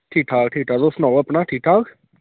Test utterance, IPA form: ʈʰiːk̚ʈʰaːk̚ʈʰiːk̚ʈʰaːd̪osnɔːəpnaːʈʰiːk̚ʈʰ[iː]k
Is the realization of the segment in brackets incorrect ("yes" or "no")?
yes